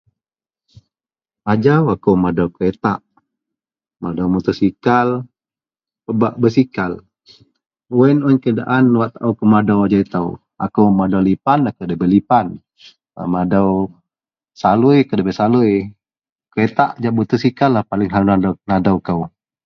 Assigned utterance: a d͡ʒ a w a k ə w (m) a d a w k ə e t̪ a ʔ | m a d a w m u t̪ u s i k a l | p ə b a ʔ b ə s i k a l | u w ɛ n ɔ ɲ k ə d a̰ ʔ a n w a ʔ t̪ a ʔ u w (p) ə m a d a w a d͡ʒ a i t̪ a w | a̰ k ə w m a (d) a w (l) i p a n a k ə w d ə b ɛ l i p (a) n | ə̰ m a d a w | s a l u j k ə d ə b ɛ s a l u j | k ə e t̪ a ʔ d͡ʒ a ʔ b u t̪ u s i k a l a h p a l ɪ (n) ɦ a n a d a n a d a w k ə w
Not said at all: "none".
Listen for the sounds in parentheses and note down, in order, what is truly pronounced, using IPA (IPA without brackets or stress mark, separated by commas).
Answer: m, k, d, l, a, ŋ